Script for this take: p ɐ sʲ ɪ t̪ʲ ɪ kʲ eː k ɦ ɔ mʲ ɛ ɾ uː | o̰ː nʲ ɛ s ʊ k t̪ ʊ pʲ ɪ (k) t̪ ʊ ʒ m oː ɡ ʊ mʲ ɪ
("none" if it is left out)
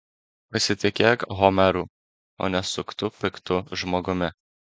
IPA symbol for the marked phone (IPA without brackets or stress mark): k